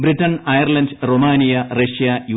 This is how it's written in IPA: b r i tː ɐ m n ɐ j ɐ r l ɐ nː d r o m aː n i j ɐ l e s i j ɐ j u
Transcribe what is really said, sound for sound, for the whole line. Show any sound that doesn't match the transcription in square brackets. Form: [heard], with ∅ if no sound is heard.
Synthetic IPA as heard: b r i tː ɐ [∅] n ɐ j ɐ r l ɐ [n] d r o m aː n i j ɐ [r] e [ʂ] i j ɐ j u